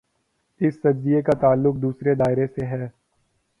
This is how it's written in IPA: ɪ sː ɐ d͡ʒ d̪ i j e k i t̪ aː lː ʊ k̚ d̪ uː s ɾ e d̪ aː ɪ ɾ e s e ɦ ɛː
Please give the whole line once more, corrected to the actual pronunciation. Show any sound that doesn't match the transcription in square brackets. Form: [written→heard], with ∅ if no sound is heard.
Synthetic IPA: ɪ sː ɐ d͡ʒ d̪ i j e k [i→a] t̪ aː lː ʊ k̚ d̪ uː s ɾ e d̪ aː ɪ ɾ e s e ɦ ɛː